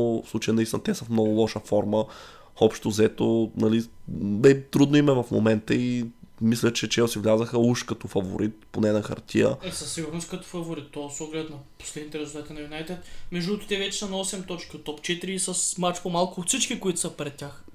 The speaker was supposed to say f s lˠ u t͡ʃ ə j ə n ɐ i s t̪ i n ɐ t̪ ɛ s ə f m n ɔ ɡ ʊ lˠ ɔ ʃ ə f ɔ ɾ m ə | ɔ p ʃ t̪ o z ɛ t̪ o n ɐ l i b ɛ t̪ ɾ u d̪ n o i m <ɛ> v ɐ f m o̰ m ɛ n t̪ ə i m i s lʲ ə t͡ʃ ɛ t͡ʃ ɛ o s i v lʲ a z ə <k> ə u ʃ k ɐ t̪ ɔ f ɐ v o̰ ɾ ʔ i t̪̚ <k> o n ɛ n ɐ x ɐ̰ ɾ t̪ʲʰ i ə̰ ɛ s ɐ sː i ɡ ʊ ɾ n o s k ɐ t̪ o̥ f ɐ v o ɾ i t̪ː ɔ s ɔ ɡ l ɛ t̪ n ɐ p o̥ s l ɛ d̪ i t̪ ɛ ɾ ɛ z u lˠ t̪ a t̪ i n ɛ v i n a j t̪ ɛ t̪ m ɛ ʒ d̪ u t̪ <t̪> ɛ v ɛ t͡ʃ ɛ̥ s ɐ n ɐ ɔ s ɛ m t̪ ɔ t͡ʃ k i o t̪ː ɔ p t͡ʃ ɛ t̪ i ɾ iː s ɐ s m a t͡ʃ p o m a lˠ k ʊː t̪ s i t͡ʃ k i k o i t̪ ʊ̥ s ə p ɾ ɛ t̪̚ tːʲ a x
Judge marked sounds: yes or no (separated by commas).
yes, no, no, yes